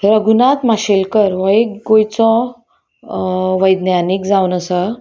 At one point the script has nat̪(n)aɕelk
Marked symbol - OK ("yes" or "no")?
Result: no